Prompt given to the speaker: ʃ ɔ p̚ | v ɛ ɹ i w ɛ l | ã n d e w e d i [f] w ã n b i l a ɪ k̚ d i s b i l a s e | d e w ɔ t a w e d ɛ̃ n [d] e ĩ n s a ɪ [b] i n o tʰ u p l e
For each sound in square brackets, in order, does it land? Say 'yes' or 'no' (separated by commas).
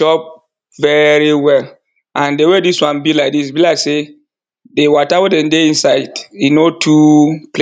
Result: no, yes, no